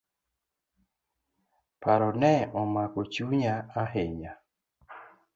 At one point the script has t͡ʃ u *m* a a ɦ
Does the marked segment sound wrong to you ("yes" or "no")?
yes